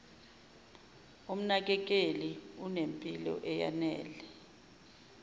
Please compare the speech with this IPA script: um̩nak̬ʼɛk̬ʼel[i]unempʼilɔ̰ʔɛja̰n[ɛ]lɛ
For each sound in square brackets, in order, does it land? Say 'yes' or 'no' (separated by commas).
yes, no